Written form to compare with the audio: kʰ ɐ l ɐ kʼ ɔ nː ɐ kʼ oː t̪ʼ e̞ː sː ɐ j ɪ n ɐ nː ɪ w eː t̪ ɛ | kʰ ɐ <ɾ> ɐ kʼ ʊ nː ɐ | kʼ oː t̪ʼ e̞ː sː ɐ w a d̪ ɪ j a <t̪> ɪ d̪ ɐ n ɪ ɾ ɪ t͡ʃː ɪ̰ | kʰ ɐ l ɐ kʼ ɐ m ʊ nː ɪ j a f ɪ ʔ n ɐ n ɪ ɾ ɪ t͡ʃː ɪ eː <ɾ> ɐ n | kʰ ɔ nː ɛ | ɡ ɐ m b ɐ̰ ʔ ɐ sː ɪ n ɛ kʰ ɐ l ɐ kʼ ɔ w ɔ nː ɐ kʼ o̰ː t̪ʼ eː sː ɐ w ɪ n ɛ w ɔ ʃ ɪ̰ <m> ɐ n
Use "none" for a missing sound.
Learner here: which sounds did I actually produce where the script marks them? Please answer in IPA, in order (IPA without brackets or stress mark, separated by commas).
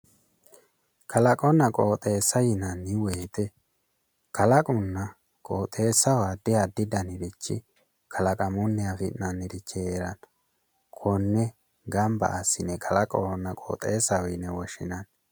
l, d̪, ɾ, n